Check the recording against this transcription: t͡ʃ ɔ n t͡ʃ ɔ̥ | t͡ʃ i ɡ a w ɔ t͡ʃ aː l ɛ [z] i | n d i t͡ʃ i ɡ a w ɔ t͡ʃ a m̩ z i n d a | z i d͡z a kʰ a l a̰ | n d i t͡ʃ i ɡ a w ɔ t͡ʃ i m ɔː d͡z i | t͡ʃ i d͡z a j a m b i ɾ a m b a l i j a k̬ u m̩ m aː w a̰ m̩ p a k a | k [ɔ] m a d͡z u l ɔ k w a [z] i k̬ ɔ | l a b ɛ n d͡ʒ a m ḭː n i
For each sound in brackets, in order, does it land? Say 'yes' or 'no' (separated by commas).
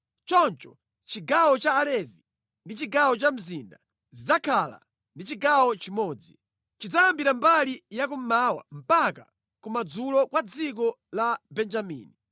no, no, no